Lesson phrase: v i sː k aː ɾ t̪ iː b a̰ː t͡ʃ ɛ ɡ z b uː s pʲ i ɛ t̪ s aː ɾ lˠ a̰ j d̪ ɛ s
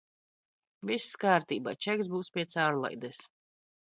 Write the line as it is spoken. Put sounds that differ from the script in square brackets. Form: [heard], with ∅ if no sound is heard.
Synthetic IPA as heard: v i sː k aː ɾ t̪ iː b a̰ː t͡ʃ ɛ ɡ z b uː s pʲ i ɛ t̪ s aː ɾ lˠ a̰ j d̪ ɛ s